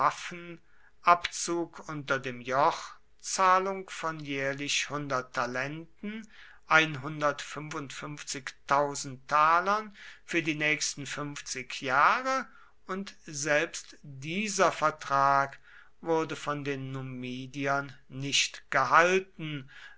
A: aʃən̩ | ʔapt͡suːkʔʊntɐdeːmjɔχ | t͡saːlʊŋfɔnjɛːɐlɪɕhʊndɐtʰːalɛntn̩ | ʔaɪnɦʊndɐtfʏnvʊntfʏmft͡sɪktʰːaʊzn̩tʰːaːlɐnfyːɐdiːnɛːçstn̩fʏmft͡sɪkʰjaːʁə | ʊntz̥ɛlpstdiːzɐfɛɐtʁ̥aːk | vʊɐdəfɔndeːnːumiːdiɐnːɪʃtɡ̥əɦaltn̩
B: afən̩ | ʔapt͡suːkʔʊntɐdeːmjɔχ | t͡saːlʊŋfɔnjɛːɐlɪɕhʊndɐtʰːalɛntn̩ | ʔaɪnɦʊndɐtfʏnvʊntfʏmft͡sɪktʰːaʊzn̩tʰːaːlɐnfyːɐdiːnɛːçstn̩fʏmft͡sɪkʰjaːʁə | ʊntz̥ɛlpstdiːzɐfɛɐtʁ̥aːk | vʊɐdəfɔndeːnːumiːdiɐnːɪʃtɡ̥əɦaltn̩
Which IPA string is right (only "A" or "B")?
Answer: B